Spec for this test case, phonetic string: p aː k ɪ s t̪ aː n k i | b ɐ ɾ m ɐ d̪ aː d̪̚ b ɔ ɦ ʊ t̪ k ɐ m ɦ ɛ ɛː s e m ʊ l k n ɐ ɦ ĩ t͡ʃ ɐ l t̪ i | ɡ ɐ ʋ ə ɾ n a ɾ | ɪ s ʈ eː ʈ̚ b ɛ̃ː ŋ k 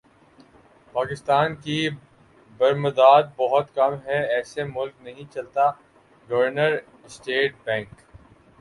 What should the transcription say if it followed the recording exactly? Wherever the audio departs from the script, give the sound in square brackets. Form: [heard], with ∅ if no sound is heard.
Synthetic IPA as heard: p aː k ɪ s t̪ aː n k i | b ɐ ɾ m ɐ d̪ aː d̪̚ b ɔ ɦ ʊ t̪ k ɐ m ɦ ɛ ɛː s e m ʊ l k n ɐ ɦ ĩ t͡ʃ ɐ l t̪ [a] | ɡ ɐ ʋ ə ɾ n [ə] ɾ | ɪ s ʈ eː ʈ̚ b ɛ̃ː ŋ k